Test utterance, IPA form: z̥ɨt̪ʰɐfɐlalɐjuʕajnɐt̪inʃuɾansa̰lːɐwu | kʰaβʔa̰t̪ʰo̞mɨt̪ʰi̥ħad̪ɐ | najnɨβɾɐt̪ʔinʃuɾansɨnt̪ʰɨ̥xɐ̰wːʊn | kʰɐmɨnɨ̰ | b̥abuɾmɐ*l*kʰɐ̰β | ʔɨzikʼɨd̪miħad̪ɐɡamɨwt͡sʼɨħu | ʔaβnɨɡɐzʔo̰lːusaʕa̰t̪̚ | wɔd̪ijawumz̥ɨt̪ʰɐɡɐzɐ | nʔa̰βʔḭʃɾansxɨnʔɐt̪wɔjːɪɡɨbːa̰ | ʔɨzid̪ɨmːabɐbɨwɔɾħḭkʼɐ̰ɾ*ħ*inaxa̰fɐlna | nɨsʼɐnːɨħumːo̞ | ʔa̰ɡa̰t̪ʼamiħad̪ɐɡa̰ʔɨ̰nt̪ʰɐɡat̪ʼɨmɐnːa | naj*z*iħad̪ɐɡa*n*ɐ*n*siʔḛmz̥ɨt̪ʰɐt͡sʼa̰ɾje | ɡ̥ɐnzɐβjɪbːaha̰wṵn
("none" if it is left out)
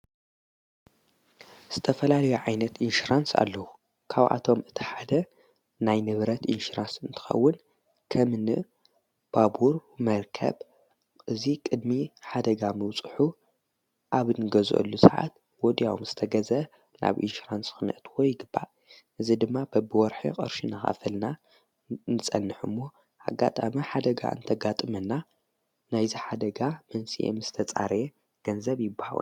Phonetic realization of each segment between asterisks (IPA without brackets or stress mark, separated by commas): ɾ, ʃ, z, m, n